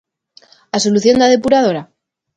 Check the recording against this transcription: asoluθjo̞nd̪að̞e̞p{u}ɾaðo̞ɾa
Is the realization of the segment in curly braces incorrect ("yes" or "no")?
no